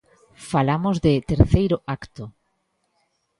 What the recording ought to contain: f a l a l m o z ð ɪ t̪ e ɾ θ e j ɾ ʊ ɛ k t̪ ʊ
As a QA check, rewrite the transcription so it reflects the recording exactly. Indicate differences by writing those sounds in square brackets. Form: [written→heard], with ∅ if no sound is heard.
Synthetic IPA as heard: f a l a [l→∅] m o z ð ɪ t̪ e ɾ θ e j ɾ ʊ [ɛ→a] k t̪ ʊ